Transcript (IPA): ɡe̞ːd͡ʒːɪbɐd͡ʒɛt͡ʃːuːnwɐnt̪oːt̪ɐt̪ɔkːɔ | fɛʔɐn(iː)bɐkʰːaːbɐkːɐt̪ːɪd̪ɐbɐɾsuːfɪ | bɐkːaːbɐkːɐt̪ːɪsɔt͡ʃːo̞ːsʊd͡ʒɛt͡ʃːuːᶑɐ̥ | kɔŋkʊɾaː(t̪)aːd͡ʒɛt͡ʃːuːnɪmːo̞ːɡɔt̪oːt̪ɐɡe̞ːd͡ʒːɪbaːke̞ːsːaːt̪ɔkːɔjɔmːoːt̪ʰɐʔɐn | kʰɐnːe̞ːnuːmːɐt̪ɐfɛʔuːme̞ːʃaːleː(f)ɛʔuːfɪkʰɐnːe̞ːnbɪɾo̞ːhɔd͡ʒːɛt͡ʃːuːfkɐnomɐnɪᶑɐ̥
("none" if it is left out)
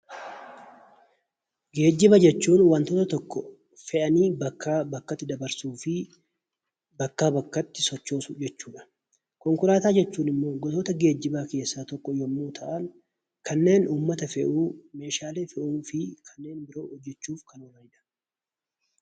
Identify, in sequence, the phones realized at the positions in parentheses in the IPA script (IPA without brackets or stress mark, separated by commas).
iː, t̪, f